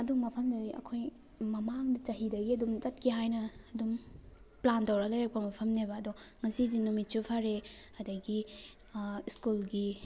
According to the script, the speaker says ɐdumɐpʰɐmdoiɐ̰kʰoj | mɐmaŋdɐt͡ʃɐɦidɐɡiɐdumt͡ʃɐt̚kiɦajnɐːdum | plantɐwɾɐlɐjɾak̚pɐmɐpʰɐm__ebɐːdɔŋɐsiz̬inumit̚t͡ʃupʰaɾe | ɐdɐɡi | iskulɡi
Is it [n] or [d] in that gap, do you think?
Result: n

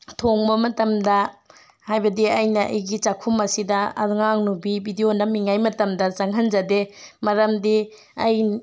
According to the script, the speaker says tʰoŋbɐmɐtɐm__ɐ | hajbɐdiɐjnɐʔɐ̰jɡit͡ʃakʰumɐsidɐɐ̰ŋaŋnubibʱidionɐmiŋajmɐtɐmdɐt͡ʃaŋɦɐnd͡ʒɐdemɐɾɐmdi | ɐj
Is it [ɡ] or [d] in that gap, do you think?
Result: d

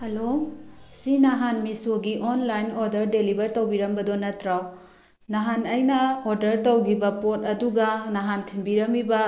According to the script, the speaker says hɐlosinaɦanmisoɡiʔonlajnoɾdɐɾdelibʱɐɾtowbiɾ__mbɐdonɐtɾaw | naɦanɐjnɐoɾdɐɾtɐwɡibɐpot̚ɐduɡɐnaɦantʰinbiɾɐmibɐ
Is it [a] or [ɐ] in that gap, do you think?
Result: ɐ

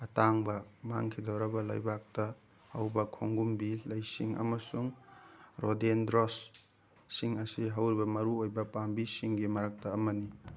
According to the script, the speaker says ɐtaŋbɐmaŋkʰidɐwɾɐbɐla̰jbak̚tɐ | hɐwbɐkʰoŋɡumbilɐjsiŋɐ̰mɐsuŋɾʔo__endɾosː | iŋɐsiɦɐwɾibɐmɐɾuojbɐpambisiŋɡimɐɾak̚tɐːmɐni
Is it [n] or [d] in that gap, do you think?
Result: d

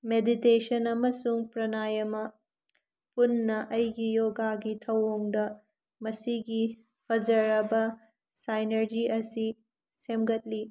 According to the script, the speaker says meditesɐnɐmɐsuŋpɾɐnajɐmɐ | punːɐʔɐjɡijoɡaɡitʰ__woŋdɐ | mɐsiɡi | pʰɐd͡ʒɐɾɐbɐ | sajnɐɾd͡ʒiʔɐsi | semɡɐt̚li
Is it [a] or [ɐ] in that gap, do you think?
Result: ɐ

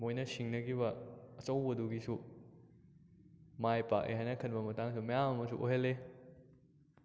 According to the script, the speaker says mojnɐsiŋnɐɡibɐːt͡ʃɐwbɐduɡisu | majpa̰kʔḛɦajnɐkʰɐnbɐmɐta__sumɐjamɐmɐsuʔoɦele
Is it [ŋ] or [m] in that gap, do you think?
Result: ŋ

